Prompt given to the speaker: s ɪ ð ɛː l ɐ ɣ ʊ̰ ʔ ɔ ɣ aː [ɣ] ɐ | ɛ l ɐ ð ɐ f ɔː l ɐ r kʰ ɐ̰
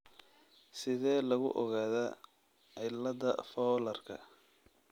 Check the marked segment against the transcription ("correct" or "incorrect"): incorrect